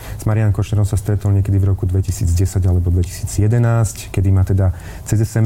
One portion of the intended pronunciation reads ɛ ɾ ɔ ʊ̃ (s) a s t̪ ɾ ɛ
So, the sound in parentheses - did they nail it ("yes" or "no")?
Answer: yes